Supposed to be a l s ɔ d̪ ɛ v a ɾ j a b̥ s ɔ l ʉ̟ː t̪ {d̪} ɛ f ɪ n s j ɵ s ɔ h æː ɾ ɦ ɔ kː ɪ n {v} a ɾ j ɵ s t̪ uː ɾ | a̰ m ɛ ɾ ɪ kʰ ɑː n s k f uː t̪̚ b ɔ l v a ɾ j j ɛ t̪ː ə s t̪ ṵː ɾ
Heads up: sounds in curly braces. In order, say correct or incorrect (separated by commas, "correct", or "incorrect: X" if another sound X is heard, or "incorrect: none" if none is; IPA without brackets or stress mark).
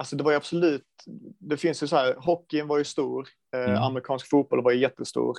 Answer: correct, correct